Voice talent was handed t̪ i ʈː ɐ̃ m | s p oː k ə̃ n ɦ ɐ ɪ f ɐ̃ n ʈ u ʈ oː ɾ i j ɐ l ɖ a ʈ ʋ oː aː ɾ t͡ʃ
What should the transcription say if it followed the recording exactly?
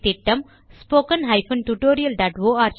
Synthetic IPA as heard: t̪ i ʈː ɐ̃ m | s p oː k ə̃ n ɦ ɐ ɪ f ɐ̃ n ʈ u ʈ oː ɾ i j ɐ l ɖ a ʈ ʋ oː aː ɾ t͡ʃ